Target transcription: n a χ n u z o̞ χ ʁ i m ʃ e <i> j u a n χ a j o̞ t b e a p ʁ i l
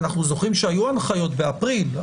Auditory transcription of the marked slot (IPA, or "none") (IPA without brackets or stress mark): a